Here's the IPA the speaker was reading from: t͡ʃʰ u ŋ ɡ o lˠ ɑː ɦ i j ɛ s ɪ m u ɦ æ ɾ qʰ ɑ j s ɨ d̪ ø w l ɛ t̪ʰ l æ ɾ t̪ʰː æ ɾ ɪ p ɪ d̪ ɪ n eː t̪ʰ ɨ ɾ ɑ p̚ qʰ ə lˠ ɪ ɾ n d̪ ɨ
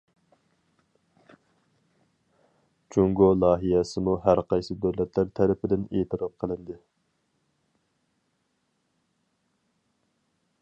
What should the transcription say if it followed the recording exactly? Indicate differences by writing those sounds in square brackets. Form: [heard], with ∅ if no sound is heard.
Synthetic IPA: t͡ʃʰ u ŋ ɡ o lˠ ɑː ɦ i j ɛ s ɪ m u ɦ æ ɾ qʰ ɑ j s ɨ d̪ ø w l ɛ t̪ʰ l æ ɾ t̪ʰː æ ɾ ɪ p ɪ d̪ ɪ n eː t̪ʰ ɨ ɾ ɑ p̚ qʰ ə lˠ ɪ [∅] n d̪ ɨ